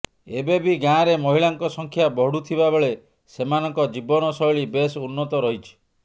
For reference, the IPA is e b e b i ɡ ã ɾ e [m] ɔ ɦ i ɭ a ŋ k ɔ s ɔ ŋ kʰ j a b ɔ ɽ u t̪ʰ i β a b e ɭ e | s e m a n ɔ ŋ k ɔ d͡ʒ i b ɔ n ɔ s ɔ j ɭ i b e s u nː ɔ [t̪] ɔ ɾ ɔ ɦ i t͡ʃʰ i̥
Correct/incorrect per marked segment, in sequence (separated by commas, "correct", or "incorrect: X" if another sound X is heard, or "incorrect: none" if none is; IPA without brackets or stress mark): correct, correct